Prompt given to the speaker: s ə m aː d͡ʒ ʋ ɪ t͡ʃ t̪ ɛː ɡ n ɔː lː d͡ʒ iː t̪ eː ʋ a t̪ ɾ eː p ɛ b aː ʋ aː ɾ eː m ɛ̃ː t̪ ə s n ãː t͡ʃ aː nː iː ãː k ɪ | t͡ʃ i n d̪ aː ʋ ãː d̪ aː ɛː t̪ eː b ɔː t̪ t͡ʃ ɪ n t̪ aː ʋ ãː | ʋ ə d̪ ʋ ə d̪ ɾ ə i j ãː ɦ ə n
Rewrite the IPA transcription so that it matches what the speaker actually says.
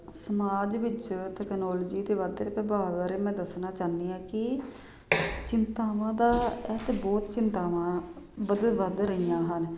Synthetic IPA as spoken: s ə m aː d͡ʒ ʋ ɪ t͡ʃ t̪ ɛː k n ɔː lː d͡ʒ iː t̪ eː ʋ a d̪ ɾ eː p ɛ b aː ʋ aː ɾ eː m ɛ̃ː d̪ ə s n aː t͡ʃ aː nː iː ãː k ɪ | t͡ʃ ɪ n t̪ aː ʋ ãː d̪ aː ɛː t̪ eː b ɔː t̪ t͡ʃ ɪ n t̪ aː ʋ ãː | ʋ ə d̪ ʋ ə d̪ ɾ ə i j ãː ɦ ə n